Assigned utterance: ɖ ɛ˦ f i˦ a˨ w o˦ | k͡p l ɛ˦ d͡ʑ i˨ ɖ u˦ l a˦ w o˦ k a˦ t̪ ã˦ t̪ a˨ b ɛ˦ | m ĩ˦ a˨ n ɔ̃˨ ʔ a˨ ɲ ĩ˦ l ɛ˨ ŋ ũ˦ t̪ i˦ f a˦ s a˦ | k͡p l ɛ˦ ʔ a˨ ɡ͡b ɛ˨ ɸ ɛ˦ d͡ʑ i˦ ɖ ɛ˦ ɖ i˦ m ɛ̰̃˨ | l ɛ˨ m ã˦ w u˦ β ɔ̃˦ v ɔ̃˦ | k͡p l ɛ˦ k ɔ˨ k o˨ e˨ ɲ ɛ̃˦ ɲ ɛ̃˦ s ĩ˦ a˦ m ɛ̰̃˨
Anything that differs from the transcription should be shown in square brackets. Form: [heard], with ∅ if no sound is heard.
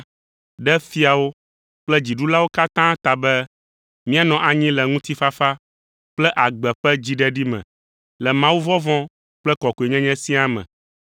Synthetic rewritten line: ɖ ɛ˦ f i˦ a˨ w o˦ | k͡p l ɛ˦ d͡ʑ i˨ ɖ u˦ l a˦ w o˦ k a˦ t̪ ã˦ t̪ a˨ b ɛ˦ | m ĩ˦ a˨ n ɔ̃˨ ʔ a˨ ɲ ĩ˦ l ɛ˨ ŋ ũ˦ t̪ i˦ f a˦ [f] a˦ | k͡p l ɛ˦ ʔ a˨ ɡ͡b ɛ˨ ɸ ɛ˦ d͡ʑ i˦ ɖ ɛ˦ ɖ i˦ m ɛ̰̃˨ | l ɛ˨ m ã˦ w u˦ [v] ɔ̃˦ v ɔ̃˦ | k͡p l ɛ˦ k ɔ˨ k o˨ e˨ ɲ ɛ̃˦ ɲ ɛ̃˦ s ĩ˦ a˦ m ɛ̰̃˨